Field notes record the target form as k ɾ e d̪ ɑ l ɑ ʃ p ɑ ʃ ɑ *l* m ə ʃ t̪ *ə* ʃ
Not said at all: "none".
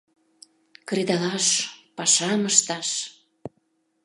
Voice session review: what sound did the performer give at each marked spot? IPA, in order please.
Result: none, ɑ

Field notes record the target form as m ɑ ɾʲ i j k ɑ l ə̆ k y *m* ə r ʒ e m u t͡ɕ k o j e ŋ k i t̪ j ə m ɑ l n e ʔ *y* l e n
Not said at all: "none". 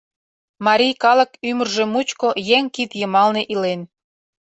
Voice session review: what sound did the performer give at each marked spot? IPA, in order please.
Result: m, i

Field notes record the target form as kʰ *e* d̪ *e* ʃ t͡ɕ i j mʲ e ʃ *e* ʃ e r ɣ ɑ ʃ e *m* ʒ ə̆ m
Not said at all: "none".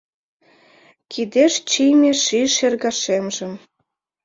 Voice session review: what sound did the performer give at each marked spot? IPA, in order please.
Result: i, e, i, m

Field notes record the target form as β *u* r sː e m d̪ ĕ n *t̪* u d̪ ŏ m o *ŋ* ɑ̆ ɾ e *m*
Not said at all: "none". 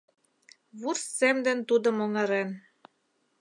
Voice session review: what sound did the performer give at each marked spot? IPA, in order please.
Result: u, t̪, ŋ, n

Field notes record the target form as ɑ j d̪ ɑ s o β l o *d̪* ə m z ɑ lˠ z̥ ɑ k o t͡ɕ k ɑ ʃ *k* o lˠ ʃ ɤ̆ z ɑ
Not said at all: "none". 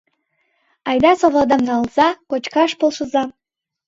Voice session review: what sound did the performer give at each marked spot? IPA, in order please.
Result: d̪, p

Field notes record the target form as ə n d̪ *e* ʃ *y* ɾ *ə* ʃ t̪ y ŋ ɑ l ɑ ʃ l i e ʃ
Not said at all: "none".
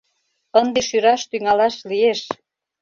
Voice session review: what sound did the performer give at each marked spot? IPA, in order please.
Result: e, y, ɑ

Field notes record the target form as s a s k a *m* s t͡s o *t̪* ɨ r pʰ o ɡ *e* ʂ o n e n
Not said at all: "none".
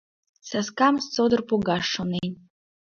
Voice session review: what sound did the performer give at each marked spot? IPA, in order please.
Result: m, d̪, a

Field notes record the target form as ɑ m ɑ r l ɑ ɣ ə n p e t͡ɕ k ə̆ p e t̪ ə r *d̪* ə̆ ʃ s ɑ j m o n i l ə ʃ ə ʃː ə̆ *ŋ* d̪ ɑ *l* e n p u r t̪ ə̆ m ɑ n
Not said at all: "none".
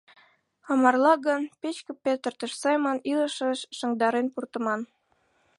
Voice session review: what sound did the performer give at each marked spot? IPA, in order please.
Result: t̪, ŋ, ɾ

